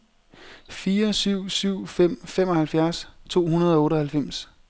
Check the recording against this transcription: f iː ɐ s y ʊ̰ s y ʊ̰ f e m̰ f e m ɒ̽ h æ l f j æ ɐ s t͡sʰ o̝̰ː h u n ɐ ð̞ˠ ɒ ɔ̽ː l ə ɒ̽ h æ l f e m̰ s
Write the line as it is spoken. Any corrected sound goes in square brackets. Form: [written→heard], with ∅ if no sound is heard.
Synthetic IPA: f iː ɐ s y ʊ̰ s y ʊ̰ f e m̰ f e m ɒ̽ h æ l f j æ ɐ s t͡sʰ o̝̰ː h u n ɐ ð̞ˠ ɒ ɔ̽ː [l→ɾ] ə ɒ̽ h æ l f e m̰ s